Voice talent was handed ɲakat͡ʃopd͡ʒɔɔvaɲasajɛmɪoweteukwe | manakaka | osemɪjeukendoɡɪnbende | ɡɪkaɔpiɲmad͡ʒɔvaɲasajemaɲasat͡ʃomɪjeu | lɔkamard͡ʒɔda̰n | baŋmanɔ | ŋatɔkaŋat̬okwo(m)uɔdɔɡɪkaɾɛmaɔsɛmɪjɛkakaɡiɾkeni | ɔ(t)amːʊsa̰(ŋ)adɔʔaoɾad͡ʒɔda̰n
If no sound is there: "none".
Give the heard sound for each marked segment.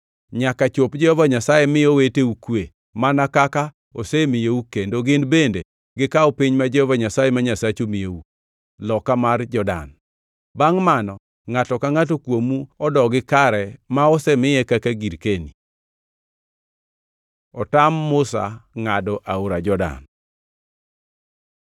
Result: m, t, ŋ

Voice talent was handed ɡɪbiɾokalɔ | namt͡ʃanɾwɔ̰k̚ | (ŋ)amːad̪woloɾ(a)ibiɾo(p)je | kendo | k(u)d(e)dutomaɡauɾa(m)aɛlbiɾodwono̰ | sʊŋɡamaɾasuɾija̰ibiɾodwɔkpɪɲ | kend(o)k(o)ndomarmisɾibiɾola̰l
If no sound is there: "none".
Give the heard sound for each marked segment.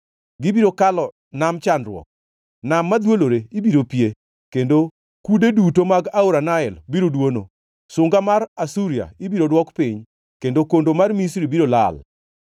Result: n, e, p, u, e, n, o, o

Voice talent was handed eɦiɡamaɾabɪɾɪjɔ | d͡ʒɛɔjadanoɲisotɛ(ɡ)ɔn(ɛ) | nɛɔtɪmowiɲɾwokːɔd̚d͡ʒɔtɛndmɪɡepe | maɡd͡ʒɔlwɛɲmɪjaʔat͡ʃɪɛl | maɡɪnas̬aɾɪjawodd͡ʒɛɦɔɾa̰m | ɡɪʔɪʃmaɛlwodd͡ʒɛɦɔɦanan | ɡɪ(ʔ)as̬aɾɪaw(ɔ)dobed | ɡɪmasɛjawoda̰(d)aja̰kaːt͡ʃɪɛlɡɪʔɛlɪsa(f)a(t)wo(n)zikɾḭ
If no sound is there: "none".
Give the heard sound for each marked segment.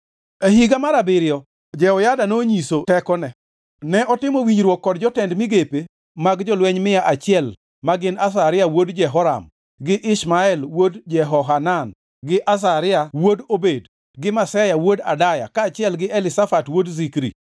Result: k, ɛ, ʔ, o, d, f, t, d

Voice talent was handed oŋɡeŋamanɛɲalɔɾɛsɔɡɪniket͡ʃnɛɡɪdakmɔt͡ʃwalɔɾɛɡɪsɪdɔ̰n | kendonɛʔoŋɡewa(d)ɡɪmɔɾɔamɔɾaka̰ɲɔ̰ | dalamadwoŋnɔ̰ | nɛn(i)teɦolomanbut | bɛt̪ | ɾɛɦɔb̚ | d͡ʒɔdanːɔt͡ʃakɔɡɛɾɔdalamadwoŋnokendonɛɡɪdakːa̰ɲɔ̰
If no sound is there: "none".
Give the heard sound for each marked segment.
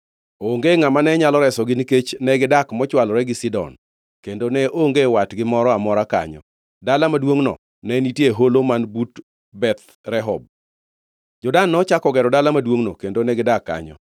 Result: t, i

